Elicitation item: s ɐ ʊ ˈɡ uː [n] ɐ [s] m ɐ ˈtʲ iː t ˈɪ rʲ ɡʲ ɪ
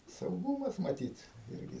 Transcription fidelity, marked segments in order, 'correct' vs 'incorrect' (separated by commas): incorrect, correct